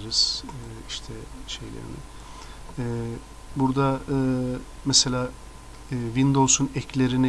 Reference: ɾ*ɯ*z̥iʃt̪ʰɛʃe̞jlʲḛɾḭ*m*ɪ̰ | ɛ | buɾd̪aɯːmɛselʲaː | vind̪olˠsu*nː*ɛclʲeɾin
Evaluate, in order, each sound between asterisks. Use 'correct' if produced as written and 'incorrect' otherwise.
correct, incorrect, incorrect

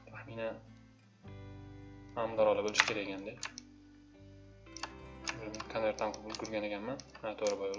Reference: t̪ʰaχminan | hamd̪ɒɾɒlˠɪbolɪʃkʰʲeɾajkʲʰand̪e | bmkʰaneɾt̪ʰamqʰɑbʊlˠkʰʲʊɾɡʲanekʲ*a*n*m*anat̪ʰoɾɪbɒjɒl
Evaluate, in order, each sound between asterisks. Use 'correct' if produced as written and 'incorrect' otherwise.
correct, correct

